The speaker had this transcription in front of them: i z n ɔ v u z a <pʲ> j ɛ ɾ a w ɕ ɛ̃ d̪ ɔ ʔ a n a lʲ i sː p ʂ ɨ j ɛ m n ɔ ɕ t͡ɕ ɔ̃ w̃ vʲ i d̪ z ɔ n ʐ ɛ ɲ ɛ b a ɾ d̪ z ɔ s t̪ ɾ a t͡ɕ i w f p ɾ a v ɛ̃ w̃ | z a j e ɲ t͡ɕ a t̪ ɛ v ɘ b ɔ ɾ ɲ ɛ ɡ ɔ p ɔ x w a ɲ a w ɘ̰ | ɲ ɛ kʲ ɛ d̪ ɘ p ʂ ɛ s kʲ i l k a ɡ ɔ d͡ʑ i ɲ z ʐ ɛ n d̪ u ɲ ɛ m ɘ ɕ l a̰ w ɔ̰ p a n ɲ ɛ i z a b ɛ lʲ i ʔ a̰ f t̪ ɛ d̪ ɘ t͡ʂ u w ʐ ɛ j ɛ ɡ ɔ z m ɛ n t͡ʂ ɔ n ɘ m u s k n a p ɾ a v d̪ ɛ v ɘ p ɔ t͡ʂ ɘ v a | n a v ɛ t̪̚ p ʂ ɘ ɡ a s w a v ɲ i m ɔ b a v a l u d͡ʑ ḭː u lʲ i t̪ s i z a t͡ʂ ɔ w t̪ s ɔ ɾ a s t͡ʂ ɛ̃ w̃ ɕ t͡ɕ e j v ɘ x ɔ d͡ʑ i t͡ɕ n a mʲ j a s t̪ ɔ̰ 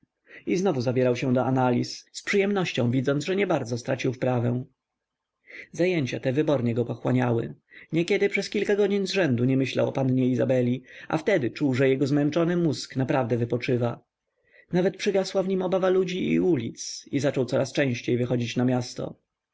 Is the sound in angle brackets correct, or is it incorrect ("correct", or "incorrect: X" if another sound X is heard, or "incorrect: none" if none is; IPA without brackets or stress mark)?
incorrect: bʲ